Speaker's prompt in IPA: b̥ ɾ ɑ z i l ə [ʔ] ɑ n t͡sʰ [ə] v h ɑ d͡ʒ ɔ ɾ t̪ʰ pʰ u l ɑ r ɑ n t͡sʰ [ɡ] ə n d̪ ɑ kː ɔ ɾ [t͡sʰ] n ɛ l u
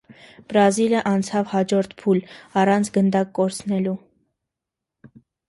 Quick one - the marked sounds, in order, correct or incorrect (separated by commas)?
correct, incorrect, correct, correct